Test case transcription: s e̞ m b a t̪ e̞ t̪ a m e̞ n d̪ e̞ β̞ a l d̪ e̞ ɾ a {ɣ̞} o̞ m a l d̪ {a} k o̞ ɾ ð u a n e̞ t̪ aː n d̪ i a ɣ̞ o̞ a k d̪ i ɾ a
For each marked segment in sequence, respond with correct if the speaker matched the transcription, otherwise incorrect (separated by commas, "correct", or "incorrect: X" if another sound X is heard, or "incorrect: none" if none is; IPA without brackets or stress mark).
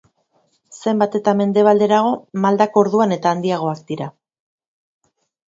correct, correct